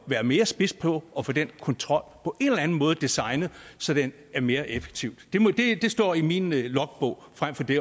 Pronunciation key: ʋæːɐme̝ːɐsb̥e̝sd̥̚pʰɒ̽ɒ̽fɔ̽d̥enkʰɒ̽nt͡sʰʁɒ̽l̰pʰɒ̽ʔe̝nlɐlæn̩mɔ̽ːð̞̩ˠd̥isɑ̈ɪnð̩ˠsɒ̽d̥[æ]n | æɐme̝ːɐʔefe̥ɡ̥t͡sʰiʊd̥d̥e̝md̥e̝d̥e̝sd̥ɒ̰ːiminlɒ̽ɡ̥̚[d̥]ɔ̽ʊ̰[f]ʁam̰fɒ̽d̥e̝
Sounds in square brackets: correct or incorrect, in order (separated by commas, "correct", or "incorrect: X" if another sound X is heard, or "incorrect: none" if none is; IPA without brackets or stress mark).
incorrect: e, incorrect: b̥, correct